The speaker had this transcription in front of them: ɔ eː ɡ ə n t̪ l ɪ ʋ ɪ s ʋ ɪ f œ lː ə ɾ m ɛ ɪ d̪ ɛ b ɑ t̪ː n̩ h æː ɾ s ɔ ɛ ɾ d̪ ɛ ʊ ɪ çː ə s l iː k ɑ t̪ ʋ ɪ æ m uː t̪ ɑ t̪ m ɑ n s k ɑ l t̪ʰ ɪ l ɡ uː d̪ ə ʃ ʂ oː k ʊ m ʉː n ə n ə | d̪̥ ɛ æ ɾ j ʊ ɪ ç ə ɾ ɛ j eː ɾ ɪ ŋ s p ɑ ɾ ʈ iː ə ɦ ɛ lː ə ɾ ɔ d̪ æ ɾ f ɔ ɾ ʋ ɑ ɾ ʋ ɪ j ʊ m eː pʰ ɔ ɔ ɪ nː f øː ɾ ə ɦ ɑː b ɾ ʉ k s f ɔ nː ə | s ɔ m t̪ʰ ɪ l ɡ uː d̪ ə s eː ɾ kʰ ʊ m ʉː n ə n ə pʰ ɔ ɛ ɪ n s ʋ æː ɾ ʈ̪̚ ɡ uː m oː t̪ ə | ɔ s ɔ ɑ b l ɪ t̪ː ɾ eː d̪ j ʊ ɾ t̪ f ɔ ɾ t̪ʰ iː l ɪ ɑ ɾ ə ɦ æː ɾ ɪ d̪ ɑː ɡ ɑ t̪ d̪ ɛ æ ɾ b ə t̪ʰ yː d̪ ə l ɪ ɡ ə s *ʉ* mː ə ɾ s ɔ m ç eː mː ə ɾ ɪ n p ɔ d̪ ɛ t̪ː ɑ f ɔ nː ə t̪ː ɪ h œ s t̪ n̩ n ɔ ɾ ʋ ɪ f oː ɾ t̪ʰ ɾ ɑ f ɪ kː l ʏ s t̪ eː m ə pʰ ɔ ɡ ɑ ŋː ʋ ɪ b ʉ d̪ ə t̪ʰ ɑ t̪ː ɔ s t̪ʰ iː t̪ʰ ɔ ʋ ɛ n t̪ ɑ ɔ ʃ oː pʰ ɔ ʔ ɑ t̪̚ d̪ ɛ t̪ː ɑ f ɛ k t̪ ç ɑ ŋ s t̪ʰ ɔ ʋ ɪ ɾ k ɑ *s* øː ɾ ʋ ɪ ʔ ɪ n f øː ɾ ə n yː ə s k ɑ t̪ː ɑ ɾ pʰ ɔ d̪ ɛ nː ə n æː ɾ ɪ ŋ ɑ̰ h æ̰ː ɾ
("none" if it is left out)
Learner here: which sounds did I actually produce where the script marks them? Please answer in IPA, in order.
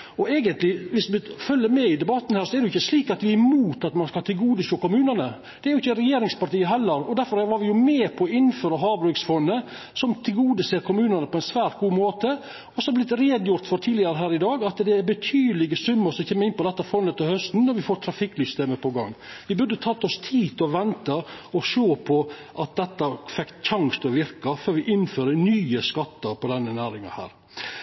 ʉ, f

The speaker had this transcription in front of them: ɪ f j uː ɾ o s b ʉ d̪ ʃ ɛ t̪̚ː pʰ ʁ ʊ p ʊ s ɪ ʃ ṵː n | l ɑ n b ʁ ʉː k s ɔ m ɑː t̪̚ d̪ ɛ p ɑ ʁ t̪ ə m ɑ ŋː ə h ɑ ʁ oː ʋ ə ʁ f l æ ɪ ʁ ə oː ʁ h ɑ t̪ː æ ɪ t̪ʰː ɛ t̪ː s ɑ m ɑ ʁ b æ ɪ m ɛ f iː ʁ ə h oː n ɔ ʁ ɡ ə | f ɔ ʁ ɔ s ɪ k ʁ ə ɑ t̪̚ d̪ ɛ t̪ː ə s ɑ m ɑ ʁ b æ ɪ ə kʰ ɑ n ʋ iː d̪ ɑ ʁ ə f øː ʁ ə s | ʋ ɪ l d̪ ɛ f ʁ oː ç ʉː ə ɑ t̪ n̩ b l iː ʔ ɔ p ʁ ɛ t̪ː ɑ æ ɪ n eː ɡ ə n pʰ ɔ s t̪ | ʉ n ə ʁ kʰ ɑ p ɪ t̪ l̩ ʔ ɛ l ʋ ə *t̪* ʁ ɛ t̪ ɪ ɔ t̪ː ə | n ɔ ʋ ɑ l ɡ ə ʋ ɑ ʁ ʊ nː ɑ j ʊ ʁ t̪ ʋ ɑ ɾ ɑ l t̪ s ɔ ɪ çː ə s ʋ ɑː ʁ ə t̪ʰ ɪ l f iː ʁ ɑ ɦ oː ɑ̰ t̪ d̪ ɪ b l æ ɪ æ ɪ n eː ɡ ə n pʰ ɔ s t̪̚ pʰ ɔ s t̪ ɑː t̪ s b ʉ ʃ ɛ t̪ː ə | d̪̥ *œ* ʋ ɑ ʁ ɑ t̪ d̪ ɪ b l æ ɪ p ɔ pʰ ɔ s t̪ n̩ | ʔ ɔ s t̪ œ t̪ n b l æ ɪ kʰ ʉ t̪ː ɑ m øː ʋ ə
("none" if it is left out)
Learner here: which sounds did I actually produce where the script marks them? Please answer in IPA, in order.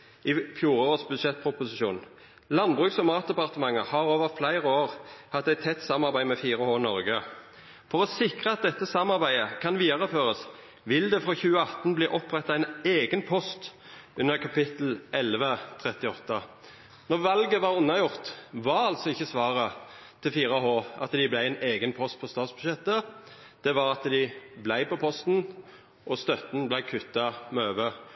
t̪ʰ, ɛ

